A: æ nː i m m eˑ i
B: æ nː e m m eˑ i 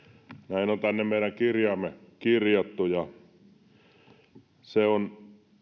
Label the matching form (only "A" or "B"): B